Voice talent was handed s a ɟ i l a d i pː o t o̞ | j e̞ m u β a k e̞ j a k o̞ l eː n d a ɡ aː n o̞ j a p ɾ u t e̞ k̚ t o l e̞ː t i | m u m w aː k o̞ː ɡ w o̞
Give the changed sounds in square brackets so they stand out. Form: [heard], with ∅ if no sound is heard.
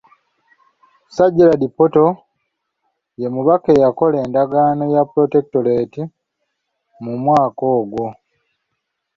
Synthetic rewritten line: s a ɟ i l a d i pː o t o̞ | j e̞ m u β a k e̞ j a k o̞ l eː n d a ɡ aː n o̞ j a p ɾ [o] t e̞ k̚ t o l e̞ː t i | m u m w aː k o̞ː ɡ w o̞